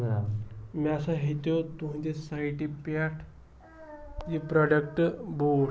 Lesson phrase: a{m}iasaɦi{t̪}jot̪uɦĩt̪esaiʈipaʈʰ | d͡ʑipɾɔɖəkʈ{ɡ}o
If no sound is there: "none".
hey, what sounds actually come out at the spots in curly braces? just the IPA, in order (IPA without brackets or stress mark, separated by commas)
m, t̪, b